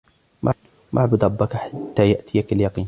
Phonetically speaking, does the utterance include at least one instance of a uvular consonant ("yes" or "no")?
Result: yes